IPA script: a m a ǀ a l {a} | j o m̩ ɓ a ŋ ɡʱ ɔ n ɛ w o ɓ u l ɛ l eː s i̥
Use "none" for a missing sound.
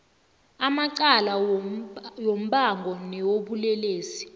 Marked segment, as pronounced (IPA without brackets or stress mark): a